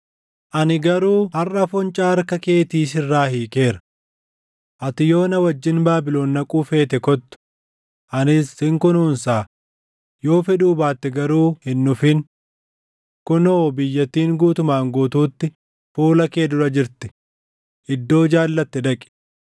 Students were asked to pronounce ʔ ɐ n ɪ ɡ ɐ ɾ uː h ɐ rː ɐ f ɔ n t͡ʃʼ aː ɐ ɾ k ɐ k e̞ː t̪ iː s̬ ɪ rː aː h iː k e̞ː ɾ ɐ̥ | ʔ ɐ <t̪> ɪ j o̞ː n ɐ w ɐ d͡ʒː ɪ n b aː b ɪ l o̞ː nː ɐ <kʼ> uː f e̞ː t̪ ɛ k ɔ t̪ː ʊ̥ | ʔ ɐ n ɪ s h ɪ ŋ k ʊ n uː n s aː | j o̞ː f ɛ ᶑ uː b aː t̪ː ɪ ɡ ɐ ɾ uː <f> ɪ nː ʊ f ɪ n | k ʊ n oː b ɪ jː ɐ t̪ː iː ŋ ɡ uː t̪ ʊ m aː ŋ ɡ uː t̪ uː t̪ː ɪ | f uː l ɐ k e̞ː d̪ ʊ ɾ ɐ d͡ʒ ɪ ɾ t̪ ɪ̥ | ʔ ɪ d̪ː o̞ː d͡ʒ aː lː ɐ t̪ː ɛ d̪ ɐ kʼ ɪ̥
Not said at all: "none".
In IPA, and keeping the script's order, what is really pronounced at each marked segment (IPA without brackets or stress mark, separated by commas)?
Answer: t̪, kʼ, h